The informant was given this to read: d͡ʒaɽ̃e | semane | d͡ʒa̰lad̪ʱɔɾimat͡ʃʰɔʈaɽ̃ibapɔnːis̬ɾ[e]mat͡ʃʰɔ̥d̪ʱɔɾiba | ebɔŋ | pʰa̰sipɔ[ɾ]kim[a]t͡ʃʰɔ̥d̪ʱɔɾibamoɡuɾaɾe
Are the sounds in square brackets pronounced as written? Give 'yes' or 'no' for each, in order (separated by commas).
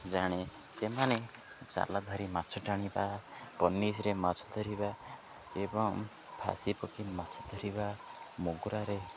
yes, no, yes